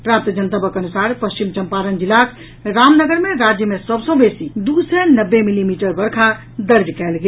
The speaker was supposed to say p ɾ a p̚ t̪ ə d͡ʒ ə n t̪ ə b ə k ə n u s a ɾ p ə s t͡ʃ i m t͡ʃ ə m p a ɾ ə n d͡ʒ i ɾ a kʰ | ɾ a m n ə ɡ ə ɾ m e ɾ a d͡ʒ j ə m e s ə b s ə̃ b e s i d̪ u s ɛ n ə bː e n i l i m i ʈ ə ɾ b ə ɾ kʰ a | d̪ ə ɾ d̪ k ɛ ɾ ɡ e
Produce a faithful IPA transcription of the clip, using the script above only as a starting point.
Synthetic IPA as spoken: p ɾ a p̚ t̪ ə d͡ʒ ə n t̪ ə b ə k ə n u s a ɾ p ə s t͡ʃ i m t͡ʃ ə m p a ɾ ə n d͡ʒ i l a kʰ | ɾ a m n ə ɡ ə ɾ m e ɾ a d͡ʒ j ə m e s ə b s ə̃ b e s i d̪ u s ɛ n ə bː e m i l i m i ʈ ə ɾ b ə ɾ kʰ a | d̪ ə ɾ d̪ k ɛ l ɡ e